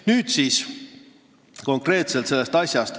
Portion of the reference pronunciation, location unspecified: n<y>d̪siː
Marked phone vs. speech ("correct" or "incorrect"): incorrect